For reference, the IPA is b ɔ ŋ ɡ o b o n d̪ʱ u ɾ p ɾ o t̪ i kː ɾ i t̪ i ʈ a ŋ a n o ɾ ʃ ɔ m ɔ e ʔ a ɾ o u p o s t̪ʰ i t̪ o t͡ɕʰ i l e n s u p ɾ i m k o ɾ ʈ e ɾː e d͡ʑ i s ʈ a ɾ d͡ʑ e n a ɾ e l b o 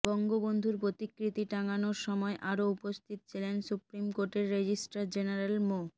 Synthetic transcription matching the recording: b ɔ ŋ ɡ o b o n d̪ʱ u ɾ p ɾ o t̪ i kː ɾ i t̪ i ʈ a ŋ a n o ɾ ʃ ɔ m ɔ e ʔ a ɾ o u p o s t̪ʰ i t̪ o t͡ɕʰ i l e n s u p ɾ i m k o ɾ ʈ e ɾː e d͡ʑ i s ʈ a ɾ d͡ʑ e n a ɾ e l m o